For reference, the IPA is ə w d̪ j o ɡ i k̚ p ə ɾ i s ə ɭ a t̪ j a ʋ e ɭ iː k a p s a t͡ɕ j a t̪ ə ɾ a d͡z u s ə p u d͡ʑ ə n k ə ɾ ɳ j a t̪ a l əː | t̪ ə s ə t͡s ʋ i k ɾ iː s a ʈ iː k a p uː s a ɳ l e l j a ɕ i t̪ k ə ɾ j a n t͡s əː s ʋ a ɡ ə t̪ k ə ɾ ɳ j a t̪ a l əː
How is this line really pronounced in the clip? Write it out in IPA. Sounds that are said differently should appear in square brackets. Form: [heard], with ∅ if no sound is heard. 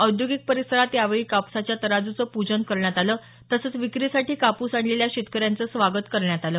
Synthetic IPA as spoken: ə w d̪ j o ɡ i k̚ p ə ɾ i s ə [ɾ] a t̪ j a ʋ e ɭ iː k a p s a t͡ɕ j a t̪ ə ɾ a d͡z u [t͡s] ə p u d͡ʑ ə n k ə ɾ ɳ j a t̪ a l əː | t̪ ə s ə t͡s ʋ i k ɾ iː s a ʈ iː k a p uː s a ɳ l e l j a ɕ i t̪ k ə ɾ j a n t͡s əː s ʋ a ɡ ə t̪ k ə ɾ ɳ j a t̪ a l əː